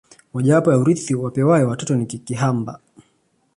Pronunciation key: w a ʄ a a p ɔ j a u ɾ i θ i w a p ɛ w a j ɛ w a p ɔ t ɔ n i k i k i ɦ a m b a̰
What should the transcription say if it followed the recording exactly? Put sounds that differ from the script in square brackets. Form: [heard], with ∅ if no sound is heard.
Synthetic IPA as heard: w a ʄ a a p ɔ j a u ɾ i θ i w a p ɛ w a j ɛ w a [t] ɔ t ɔ n i k i k i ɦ a m b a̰

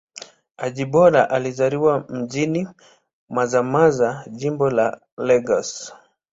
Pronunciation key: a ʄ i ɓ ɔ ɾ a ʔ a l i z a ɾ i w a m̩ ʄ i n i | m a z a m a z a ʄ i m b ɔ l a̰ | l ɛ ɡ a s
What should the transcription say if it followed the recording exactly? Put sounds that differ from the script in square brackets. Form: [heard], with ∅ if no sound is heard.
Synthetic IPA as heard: a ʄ i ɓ ɔ ɾ a ʔ a l i z a ɾ i w a m̩ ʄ i n i | m a z a m a z a ʄ i m b ɔ l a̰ | l ɛ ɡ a s

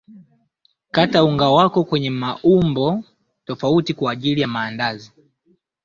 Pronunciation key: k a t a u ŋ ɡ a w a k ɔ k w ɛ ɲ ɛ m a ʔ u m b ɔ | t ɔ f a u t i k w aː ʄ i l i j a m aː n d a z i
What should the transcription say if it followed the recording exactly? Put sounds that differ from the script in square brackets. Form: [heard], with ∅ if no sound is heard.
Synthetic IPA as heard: k a t a u ŋ ɡ a w a k ɔ k w ɛ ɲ ɛ m a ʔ u m b ɔ | t ɔ f a u t i k w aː ʄ i l i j a m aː n d a z i

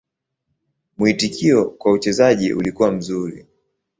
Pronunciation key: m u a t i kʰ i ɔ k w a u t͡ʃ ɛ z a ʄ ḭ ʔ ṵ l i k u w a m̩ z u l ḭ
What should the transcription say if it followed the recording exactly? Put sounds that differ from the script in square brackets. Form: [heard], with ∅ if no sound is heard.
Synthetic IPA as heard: m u [i] t i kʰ i ɔ k w a u t͡ʃ ɛ z a ʄ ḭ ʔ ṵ l i k u w a m̩ z u [ɾ] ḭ

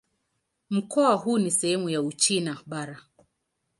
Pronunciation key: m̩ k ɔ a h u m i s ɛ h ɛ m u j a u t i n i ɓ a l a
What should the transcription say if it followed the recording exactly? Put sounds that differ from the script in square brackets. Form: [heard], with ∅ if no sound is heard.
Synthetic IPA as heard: m̩ k ɔ a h u [n] i s ɛ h ɛ m u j a u [t͡ʃ] i n [a] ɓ a [ɾ] a

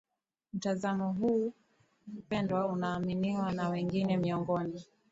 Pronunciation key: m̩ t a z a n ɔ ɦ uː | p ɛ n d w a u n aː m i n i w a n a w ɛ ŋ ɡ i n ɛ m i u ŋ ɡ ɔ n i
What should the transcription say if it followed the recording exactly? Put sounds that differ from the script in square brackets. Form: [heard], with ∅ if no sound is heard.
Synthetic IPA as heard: m̩ t a z a [m] ɔ ɦ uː | p ɛ n d w a u n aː m i n i w a n a w ɛ ŋ ɡ i n ɛ m i [ɔ] ŋ ɡ ɔ n i

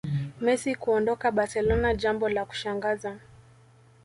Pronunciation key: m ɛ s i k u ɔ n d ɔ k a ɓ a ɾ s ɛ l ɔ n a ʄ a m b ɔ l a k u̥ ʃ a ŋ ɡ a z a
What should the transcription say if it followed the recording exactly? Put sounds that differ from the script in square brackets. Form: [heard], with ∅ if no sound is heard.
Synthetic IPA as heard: m ɛ s i k u ɔ n d ɔ k a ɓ a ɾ s ɛ l ɔ n a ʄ a m b ɔ l a k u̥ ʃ a ŋ ɡ a z a

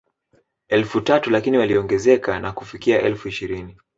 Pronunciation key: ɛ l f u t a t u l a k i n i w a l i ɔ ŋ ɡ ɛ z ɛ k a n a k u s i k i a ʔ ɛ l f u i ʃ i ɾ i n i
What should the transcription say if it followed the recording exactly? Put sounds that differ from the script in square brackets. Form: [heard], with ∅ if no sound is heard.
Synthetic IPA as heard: ɛ l f u t a t u l a k i n i w a l i ɔ ŋ ɡ ɛ z ɛ k a n a k u [f] i k i a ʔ ɛ l f u i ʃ i ɾ i n i

